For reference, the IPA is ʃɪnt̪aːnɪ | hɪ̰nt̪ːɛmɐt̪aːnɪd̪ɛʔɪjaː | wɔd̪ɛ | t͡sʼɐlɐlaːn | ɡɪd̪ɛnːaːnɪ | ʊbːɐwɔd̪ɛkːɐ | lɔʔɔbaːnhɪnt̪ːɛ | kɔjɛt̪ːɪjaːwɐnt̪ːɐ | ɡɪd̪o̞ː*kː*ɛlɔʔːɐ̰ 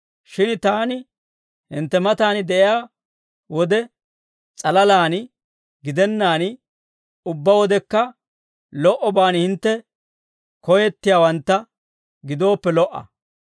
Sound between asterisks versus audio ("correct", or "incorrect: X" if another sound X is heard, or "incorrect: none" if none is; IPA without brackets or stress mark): incorrect: pː